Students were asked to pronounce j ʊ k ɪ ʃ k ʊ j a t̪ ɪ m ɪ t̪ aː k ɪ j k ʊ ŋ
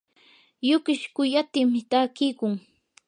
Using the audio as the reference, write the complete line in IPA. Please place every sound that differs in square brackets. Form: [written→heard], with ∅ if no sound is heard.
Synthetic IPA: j ʊ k ɪ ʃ k ʊ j a t̪ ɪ m ɪ t̪ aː k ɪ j k ʊ ŋ